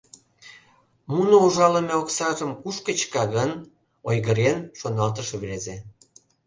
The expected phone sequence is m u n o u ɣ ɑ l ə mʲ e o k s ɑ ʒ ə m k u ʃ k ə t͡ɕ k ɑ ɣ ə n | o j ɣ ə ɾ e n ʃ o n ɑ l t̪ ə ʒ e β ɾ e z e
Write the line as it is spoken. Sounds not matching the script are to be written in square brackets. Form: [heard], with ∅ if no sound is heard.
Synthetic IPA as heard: m u n o u [ʒ] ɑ l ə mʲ e o k s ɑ ʒ ə m k u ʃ k ə t͡ɕ k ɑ ɣ ə n | o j ɣ ə ɾ e n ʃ o n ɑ l t̪ ə [ʃ] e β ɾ e z e